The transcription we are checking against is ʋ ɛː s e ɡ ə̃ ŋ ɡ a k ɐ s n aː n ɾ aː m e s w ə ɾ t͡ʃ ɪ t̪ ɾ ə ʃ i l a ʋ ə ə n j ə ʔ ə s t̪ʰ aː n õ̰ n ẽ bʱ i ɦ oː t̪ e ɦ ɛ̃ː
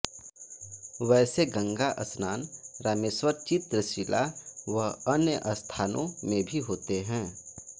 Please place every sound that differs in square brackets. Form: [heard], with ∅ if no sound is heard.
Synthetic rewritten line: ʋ ɛː s e ɡ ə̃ ŋ ɡ a [ʔ] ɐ s n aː n ɾ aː m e s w ə ɾ t͡ʃ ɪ t̪ ɾ ə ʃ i l a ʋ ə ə n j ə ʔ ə s t̪ʰ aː n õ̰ [m] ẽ bʱ i ɦ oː t̪ e ɦ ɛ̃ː